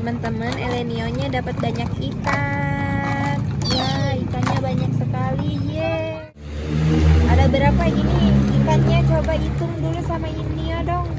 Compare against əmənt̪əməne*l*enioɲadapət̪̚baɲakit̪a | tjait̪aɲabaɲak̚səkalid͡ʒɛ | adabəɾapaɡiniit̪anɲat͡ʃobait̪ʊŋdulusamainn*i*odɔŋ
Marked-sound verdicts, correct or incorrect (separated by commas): correct, correct